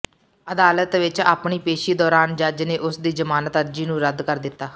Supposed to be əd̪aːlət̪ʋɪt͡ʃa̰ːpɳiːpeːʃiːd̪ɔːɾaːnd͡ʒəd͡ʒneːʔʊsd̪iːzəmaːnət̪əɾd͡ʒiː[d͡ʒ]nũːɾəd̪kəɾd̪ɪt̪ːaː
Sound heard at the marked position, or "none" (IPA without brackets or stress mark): none